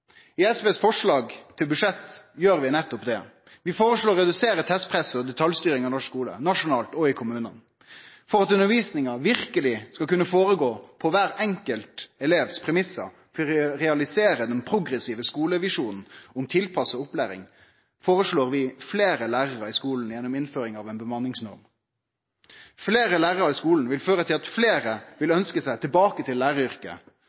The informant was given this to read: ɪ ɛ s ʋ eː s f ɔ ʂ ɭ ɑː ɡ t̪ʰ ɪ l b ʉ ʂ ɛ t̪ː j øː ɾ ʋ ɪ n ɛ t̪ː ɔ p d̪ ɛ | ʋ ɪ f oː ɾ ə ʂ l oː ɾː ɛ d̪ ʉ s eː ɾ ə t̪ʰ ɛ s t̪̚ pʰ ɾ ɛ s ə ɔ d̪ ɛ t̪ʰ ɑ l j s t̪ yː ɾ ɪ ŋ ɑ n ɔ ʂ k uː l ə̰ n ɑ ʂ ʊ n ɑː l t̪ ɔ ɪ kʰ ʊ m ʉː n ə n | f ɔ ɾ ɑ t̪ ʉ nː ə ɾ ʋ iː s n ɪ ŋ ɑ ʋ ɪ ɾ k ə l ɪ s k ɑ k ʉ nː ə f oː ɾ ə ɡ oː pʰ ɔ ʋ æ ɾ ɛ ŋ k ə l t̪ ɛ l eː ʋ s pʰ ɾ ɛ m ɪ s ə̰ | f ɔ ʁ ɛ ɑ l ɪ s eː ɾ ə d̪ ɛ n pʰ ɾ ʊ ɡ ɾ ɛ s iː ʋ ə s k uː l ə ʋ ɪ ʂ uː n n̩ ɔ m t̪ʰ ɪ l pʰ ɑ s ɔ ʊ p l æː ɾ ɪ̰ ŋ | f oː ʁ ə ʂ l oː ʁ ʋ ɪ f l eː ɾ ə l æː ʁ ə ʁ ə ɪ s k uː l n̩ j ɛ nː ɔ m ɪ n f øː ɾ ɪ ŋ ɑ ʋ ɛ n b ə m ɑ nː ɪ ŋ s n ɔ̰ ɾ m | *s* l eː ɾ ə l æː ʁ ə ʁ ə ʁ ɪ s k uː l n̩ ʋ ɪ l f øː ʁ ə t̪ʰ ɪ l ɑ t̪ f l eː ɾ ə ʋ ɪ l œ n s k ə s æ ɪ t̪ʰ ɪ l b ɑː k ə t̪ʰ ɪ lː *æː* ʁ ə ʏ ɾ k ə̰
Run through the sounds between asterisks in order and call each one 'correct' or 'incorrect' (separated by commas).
incorrect, correct